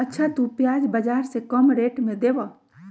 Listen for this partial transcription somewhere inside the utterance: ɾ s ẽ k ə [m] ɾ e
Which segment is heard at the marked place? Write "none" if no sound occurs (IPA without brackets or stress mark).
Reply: m